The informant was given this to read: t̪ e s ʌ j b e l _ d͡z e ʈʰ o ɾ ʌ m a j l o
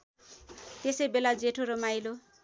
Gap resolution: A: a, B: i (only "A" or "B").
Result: A